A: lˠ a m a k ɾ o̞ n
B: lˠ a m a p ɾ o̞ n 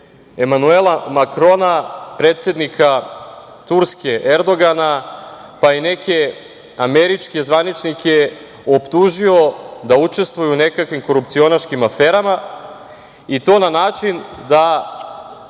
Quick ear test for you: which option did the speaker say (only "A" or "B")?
A